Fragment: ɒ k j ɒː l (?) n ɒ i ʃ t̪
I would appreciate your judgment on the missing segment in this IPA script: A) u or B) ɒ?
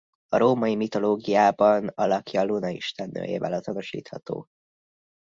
A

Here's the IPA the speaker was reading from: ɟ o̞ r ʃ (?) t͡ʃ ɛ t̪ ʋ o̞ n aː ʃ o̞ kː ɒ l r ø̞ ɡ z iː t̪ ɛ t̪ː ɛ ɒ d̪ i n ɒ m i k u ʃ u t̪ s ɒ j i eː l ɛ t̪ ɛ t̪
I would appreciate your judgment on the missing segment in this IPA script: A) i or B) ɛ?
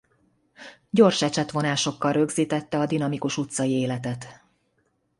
B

